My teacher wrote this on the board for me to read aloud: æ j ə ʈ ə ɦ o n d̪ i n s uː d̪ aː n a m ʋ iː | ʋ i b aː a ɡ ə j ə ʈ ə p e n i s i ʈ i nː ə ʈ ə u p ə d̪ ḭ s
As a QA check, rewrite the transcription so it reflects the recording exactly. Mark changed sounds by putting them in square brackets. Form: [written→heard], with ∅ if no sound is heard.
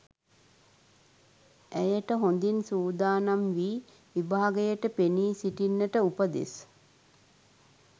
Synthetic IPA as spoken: æ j ə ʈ ə ɦ o n d̪ i n s uː d̪ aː n a m ʋ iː | ʋ i b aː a ɡ ə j ə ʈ ə p e n [i→iː] s i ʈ i nː ə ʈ ə u p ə d̪ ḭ s